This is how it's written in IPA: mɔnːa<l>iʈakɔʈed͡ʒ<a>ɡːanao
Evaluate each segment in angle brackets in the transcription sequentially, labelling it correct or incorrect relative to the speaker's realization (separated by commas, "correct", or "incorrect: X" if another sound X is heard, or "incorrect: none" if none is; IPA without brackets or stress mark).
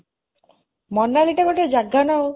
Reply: correct, correct